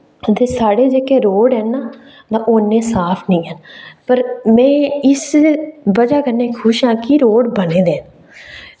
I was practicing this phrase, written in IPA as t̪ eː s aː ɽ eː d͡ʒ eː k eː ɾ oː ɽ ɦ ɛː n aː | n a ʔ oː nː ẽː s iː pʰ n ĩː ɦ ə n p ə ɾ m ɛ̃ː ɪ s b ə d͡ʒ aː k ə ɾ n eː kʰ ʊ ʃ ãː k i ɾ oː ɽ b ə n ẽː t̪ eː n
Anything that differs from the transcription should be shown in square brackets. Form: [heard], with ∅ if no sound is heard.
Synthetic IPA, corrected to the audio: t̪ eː s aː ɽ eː d͡ʒ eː k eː ɾ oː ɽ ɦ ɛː n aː | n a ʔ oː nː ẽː s [aː] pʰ n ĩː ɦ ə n p ə ɾ m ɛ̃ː ɪ s b ə d͡ʒ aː k ə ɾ n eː kʰ ʊ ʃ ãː k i ɾ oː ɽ b ə n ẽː [d̪] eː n